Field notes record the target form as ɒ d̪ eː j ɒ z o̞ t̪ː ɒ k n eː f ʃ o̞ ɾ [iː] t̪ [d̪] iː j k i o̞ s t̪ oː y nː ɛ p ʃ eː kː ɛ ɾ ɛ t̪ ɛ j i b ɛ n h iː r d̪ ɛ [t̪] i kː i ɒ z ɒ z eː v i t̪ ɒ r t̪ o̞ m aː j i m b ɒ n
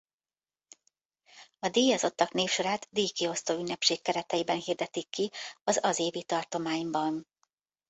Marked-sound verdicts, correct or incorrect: incorrect: aː, correct, correct

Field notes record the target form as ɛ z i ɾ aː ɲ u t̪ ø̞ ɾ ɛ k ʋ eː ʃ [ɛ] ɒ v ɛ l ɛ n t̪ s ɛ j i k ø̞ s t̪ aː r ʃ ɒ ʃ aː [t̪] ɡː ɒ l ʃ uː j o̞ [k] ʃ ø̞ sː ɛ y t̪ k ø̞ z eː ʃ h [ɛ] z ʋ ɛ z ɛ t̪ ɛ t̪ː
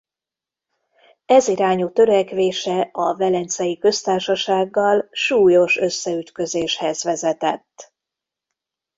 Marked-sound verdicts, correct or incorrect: correct, incorrect: none, incorrect: none, correct

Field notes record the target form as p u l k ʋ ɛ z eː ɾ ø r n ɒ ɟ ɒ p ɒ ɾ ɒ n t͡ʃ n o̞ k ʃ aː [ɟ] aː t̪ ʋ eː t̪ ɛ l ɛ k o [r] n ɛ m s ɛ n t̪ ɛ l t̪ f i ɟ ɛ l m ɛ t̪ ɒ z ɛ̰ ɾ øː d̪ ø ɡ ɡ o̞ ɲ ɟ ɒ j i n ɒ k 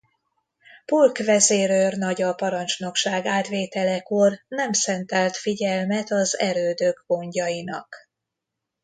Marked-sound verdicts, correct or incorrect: incorrect: ɡ, correct

